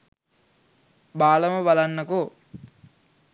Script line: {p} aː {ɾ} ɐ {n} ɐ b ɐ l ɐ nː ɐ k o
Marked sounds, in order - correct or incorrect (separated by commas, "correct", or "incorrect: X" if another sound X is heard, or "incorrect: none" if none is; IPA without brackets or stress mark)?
incorrect: b, incorrect: l, incorrect: m